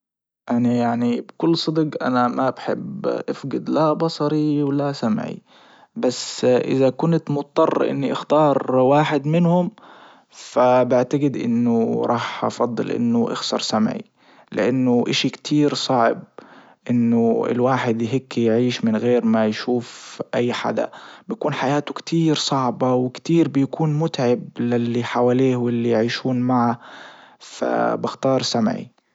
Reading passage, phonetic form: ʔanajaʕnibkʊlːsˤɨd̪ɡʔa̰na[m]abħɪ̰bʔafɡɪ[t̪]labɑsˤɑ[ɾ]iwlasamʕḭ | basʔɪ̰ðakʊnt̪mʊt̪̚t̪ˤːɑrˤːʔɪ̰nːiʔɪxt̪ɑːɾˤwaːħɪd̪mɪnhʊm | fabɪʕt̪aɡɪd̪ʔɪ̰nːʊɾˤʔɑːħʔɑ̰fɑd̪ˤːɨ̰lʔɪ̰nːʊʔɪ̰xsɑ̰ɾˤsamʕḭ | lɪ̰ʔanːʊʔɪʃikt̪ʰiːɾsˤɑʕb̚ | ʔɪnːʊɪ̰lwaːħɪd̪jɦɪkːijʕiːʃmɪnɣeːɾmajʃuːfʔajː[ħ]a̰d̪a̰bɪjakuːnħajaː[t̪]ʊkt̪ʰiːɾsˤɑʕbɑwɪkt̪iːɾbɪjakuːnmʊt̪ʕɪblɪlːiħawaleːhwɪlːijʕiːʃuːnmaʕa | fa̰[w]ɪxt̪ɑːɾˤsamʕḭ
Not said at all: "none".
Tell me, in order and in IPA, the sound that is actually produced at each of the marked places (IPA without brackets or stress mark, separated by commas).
m, d̪, ɾ, ħ, t̪, b